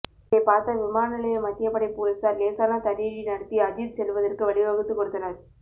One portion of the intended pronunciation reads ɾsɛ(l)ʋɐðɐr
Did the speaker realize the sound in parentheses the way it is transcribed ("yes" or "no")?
yes